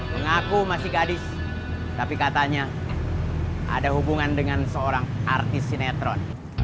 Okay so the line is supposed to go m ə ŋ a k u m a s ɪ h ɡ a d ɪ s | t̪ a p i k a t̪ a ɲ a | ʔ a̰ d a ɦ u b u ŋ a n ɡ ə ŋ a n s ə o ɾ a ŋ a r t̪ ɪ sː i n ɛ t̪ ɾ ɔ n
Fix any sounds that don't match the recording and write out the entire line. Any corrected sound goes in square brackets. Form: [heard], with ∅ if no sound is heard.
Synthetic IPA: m ə ŋ a k u m a s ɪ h ɡ a d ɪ s | t̪ a p i k a t̪ a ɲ a | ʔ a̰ d a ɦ u b u ŋ a n [d] ə ŋ a n s ə o ɾ a ŋ a r t̪ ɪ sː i n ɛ t̪ ɾ ɔ n